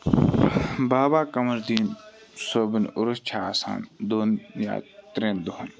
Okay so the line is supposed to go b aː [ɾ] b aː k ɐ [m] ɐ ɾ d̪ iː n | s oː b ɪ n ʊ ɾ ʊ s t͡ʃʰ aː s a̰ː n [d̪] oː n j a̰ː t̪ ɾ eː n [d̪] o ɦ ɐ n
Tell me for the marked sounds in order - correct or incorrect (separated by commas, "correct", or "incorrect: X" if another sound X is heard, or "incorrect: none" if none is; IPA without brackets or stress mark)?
incorrect: none, correct, correct, correct